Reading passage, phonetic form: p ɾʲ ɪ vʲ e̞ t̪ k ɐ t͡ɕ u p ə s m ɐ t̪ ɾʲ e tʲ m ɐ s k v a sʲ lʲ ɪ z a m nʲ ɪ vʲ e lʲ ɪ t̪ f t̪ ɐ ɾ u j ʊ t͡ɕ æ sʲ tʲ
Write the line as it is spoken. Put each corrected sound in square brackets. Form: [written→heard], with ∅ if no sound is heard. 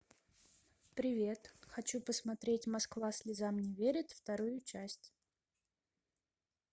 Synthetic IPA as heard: p ɾʲ ɪ vʲ e̞ t̪ [k→x] ɐ t͡ɕ u p ə s m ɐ t̪ ɾʲ e tʲ m ɐ s k v a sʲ lʲ ɪ z a m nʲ ɪ vʲ e [lʲ→ɾʲ] ɪ t̪ f t̪ ɐ ɾ u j ʊ t͡ɕ æ sʲ tʲ